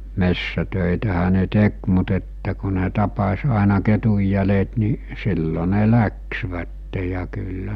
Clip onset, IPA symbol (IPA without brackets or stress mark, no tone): m